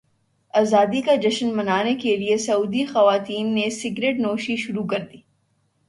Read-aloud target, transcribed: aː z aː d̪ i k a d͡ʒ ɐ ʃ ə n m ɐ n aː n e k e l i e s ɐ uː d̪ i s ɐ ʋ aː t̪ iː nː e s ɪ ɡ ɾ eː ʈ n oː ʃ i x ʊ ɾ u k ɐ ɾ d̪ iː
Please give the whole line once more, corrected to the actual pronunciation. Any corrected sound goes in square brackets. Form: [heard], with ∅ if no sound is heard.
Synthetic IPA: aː z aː d̪ i k a d͡ʒ ɐ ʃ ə n m ɐ n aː n e k e l i e s ɐ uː d̪ i [x] ɐ ʋ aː t̪ iː nː e s ɪ ɡ ɾ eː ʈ n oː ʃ i [ʃ] ʊ ɾ u k ɐ ɾ d̪ iː